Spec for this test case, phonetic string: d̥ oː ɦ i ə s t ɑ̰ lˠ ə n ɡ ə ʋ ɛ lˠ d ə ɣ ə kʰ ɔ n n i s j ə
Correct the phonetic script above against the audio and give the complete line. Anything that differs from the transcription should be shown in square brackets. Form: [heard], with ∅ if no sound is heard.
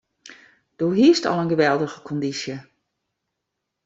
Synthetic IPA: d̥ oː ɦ i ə s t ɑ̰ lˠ ə n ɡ ə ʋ ɛ lˠ d ə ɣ ə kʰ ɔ n [d] i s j ə